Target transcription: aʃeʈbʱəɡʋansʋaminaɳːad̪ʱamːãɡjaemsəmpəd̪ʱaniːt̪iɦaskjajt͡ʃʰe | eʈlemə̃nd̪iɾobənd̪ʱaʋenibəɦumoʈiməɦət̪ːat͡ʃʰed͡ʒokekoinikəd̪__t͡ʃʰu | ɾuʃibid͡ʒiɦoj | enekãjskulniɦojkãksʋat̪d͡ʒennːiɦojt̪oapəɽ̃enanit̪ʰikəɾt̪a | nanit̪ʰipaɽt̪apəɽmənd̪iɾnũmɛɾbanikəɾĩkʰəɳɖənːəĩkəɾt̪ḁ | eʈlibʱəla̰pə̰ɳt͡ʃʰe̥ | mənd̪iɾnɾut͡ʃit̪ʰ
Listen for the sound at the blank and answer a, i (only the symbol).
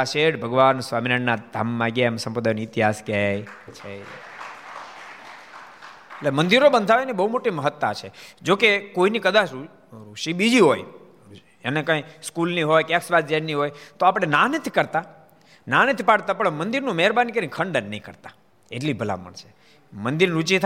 a